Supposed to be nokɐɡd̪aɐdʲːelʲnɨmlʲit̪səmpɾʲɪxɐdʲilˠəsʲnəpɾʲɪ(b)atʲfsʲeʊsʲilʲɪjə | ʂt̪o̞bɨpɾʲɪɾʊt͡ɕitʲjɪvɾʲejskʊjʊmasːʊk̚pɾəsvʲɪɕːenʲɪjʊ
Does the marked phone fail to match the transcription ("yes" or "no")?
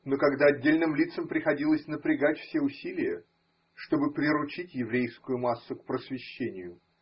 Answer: yes